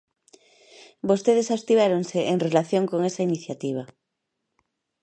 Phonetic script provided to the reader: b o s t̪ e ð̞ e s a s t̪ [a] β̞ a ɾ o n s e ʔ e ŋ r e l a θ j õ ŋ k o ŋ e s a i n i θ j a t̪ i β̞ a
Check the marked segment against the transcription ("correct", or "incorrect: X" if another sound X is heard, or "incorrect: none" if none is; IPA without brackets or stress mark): incorrect: i